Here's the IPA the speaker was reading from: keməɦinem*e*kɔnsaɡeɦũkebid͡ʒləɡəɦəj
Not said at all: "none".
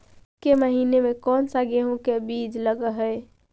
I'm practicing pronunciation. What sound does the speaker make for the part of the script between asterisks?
e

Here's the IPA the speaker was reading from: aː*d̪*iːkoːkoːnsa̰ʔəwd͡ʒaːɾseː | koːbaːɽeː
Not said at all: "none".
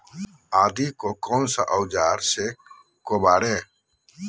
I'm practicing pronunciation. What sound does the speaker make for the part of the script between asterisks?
d̪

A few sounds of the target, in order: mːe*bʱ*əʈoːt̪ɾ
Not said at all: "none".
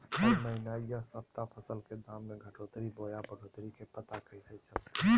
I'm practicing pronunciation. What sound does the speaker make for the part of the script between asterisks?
ɡʱ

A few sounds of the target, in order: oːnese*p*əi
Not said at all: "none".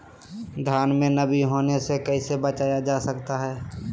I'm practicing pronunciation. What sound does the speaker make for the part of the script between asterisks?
k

